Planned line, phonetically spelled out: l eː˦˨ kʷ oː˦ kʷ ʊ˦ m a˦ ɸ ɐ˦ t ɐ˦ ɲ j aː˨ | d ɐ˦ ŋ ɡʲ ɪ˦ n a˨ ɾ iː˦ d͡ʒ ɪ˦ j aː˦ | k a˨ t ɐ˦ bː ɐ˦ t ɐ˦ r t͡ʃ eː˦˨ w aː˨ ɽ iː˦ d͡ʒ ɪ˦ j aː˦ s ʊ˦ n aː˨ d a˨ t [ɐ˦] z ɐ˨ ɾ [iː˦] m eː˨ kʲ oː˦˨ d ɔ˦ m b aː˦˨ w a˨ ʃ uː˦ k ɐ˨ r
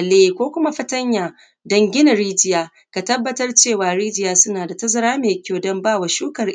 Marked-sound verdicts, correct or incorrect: correct, incorrect

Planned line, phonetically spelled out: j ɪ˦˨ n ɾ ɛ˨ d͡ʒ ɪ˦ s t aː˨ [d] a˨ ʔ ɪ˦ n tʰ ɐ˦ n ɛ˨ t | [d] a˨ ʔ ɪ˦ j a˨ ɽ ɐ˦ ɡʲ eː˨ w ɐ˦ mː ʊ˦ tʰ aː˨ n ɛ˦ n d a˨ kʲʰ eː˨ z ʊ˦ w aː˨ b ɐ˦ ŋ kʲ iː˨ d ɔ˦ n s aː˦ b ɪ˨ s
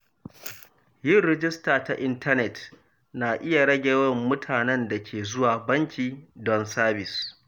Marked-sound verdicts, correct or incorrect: incorrect, incorrect

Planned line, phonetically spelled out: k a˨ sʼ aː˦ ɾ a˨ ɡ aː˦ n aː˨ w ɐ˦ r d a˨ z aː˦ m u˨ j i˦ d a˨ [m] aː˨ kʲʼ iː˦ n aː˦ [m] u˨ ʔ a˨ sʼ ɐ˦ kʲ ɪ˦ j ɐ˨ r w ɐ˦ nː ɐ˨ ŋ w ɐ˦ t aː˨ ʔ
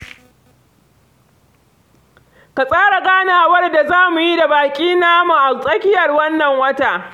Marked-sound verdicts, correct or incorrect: incorrect, correct

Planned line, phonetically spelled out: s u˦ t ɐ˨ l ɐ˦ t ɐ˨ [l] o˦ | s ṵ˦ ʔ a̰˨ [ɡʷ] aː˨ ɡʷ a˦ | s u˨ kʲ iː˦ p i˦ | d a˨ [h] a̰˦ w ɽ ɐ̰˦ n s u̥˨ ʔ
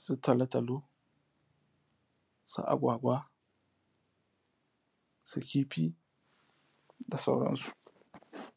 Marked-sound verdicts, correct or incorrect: correct, correct, incorrect

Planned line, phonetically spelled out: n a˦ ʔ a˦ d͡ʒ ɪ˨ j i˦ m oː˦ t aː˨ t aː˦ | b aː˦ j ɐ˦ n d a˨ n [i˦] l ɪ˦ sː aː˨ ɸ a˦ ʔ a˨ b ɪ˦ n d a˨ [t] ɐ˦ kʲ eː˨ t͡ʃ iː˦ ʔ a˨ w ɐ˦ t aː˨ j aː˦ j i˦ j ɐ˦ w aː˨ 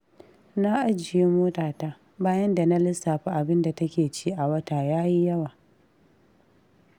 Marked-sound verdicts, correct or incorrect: incorrect, correct

